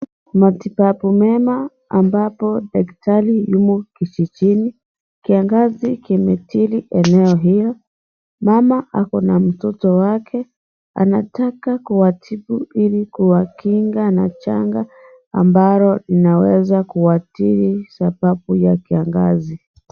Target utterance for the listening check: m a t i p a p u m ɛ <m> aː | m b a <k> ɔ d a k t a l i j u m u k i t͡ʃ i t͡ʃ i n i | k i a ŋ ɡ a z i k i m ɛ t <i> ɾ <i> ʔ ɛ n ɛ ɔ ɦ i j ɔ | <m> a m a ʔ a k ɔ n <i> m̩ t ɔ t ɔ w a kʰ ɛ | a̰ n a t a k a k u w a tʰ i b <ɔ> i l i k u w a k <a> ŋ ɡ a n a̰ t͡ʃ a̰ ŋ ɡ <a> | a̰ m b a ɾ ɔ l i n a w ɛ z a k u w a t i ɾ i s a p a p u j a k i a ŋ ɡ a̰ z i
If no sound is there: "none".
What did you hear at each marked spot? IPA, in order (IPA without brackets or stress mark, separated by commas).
m, p, i, i, m, a, u, i, a